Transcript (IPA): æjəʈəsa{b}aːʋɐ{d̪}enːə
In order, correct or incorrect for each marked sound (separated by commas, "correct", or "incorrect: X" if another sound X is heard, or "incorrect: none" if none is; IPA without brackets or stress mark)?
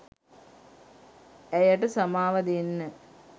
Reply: incorrect: m, correct